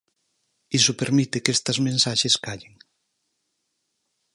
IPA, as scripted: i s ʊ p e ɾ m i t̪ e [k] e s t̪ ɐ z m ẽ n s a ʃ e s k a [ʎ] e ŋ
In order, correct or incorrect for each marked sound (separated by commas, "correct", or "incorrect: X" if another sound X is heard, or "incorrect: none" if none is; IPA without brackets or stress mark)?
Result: correct, correct